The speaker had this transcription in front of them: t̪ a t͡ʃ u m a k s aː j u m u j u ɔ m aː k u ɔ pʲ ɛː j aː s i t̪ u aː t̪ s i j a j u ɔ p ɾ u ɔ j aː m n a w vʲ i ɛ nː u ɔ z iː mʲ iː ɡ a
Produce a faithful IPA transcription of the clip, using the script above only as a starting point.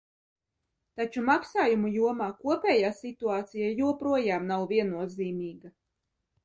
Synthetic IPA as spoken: t̪ a t͡ʃ u m a k s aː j u m u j u ɔ m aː k u ɔ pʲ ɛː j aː s i t̪ u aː t̪ s i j a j u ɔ p ɾ u ɔ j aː m n a w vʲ i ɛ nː u ɔ z iː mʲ iː ɡ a